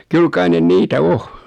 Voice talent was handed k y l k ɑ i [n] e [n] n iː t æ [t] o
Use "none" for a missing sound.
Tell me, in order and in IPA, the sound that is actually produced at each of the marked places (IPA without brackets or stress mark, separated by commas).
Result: n, n, none